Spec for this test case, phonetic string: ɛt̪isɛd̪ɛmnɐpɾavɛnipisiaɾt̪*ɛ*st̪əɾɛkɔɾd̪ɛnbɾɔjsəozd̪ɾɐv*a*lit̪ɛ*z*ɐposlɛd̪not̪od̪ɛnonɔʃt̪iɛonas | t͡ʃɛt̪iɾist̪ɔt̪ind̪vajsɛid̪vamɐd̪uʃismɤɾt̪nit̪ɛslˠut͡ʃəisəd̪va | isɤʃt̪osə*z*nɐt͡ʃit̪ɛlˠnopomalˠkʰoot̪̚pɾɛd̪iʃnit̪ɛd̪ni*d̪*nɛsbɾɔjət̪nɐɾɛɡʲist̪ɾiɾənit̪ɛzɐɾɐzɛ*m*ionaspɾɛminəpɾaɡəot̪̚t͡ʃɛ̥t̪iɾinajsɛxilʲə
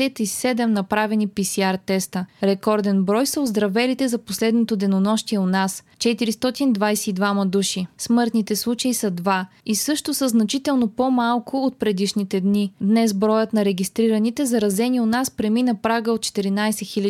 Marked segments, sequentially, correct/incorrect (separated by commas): correct, incorrect, correct, correct, correct, incorrect